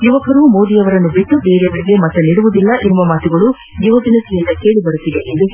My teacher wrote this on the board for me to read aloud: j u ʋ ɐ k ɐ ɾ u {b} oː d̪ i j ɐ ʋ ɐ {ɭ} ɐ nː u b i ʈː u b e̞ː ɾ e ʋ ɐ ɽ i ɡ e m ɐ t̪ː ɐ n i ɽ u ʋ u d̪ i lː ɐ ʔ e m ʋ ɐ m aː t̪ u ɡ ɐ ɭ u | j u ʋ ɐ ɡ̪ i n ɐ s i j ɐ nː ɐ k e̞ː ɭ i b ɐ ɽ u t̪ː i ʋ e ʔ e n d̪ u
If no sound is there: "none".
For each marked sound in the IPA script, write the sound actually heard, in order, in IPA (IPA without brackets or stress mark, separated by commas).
m, ɾ